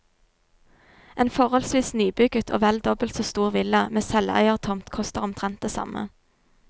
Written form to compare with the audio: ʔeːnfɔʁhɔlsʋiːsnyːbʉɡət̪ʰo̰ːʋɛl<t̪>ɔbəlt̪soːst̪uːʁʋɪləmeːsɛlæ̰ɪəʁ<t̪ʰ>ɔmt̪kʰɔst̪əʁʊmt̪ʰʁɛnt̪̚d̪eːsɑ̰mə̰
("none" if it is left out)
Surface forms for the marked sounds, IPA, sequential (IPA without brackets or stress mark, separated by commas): d̪, t̪ʰ